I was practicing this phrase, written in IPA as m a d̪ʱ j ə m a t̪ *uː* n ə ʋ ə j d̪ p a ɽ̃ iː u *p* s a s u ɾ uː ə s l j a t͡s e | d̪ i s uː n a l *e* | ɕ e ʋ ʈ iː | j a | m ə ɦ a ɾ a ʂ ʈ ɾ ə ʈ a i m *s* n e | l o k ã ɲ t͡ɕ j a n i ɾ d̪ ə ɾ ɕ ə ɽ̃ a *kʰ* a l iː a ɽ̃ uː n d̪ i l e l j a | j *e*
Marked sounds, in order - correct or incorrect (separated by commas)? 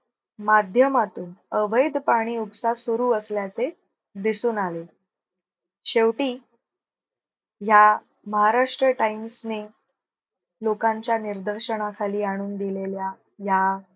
correct, correct, correct, correct, correct, incorrect